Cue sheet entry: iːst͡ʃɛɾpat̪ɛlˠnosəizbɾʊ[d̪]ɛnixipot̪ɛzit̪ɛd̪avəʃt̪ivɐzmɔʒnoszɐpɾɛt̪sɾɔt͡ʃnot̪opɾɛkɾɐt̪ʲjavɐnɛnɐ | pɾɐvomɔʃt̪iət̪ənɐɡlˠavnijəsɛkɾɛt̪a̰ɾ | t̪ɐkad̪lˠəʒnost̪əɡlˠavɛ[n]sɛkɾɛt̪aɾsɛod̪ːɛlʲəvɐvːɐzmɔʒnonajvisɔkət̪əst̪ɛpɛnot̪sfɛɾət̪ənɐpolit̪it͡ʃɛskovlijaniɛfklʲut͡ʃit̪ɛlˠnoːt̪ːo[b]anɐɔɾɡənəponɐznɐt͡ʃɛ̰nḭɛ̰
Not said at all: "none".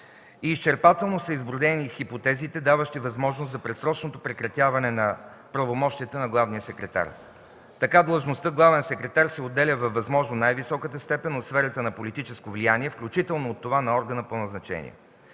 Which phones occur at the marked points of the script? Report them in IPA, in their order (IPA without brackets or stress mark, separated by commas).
d̪, n, v